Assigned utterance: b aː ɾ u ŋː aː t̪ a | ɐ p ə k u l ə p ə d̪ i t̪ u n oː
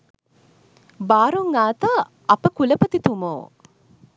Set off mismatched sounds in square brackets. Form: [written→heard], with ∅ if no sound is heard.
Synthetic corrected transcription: b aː ɾ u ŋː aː t̪ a | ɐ p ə k u l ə p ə [d̪→t̪] i t̪ u [n→m] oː